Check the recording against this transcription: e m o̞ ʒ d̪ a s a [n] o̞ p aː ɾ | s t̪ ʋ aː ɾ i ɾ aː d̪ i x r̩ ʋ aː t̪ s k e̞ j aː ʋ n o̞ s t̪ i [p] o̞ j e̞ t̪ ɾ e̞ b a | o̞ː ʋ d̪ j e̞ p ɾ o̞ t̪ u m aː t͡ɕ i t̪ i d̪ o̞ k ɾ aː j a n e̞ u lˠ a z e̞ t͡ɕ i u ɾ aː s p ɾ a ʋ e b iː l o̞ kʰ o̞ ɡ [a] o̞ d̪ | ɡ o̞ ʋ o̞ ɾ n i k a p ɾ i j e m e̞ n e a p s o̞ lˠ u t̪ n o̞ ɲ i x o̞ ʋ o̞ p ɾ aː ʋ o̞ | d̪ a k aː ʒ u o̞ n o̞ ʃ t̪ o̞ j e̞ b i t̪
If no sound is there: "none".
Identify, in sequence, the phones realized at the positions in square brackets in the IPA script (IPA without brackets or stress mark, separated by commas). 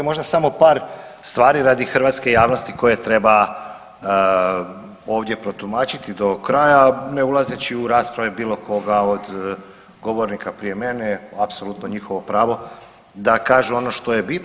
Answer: m, k, a